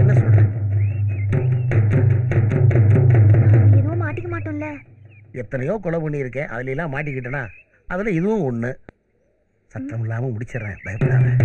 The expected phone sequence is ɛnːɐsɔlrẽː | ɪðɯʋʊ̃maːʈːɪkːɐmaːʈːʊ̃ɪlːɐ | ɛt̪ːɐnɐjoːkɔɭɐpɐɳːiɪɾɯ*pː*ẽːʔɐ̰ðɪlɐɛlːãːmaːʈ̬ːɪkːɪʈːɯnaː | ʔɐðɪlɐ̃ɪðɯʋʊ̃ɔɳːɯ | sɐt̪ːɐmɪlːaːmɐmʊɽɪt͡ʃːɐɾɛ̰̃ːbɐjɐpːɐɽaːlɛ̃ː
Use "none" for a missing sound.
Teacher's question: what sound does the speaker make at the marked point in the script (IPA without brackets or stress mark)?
kː